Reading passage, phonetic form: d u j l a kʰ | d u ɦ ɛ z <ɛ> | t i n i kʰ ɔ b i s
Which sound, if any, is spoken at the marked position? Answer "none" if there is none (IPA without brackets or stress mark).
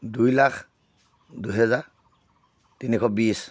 a